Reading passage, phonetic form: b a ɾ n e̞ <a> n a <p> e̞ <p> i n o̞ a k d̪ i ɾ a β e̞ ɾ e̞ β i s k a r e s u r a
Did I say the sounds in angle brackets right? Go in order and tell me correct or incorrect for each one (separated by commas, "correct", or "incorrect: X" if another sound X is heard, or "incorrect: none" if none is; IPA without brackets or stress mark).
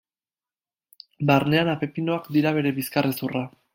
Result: correct, correct, correct